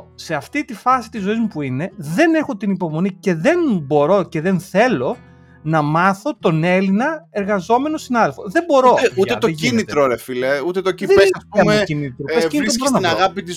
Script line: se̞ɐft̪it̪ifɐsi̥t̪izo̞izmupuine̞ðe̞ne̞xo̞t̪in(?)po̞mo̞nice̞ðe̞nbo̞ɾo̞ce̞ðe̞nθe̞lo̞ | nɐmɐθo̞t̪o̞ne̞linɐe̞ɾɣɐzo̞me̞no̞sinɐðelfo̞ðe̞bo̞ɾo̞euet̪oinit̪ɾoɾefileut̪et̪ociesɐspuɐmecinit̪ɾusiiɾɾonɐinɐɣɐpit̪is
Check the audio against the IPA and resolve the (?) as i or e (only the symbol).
i